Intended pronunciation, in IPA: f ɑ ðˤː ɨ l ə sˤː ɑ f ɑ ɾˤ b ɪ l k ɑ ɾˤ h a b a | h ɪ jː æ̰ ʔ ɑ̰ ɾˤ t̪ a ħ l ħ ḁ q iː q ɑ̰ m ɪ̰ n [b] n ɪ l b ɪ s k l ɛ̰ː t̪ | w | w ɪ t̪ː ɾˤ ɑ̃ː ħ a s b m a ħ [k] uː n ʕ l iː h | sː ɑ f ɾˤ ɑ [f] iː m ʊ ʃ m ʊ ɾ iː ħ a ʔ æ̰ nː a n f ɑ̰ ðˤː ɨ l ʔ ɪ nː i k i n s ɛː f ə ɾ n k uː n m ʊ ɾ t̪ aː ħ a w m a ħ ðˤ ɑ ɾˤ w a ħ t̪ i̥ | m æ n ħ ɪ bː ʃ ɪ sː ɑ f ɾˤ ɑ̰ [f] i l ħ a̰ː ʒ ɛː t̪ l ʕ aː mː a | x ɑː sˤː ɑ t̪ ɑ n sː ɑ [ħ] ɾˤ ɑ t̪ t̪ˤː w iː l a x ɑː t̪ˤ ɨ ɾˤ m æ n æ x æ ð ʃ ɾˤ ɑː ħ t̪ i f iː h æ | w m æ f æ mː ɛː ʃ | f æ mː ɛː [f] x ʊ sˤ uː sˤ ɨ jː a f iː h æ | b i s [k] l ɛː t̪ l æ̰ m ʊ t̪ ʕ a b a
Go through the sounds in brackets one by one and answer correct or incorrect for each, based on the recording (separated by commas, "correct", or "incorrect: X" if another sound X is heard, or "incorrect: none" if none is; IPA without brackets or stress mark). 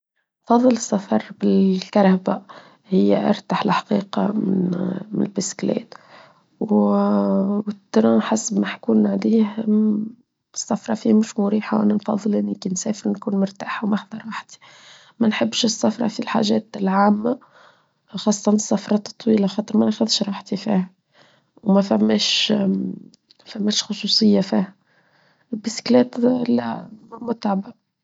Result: incorrect: m, correct, correct, correct, incorrect: f, incorrect: ʃ, correct